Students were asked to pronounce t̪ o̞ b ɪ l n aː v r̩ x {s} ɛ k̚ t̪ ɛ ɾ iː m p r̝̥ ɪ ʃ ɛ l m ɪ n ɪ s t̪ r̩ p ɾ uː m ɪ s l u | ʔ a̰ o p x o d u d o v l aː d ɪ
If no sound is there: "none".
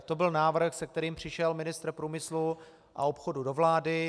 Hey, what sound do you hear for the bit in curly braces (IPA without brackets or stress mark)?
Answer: s